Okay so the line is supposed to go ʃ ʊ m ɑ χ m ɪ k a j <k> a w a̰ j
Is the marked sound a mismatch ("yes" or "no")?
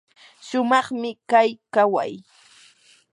no